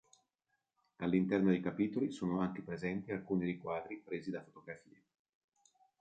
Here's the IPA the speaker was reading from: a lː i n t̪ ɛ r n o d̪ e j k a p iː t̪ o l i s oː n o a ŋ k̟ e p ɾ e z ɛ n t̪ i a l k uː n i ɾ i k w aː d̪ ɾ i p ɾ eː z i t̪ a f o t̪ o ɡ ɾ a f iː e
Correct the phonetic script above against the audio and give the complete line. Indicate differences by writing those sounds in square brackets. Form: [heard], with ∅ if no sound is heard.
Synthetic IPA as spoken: a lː i n t̪ ɛ r n o d̪ e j k a p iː t̪ o l i s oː n o a ŋ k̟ e p ɾ e z ɛ n t̪ i a l k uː n i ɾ i k w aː d̪ ɾ i p ɾ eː z i [d̪] a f o t̪ o ɡ ɾ a f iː e